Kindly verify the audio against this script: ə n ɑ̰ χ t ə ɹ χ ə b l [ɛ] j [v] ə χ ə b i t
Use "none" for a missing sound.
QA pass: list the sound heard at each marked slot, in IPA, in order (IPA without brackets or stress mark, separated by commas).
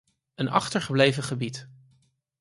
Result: e, v